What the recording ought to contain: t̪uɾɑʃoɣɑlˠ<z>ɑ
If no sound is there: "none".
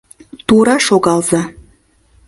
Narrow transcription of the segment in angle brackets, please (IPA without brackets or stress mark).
z